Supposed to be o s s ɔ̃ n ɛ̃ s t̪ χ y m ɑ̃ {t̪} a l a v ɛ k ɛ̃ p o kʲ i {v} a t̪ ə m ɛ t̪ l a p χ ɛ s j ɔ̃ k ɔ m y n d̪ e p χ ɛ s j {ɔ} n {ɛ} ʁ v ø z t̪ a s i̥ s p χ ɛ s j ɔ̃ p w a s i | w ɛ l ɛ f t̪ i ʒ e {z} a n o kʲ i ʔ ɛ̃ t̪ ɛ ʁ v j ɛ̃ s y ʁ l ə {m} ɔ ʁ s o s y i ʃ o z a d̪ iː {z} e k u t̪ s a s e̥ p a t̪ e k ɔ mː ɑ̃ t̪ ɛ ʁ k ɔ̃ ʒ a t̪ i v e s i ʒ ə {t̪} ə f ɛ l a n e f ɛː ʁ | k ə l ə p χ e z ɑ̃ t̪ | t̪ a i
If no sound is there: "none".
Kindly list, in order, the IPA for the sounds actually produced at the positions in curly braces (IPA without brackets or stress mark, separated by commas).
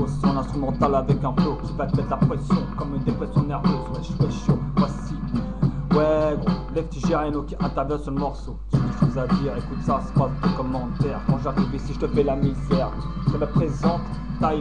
t̪, v, ɔ̃, ɛ, ʁ, m, ʁ, t̪